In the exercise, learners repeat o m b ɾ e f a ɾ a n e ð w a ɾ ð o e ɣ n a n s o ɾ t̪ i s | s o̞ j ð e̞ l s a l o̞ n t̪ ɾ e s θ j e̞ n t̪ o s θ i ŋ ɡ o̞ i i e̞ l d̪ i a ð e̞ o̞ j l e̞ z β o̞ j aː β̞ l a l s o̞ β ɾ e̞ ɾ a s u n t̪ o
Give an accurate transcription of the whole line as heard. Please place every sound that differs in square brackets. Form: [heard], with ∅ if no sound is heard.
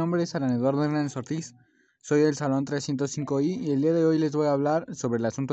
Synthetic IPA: o m b ɾ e [s] a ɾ a n e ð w a ɾ ð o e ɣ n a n s o ɾ t̪ i s | s o̞ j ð e̞ l s a l o̞ n t̪ ɾ e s θ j e̞ n t̪ o s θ i ŋ [k] o̞ i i e̞ l d̪ i a ð e̞ o̞ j l e̞ z β o̞ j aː β̞ l a [ɾ] s o̞ β ɾ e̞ [l] a s u n t̪ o